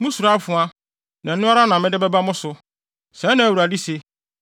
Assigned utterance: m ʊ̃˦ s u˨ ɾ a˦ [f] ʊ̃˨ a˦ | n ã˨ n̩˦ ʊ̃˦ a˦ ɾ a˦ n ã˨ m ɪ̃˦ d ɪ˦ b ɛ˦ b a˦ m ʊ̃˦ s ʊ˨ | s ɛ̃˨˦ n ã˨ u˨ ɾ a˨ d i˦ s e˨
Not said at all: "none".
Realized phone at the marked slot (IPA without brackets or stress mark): f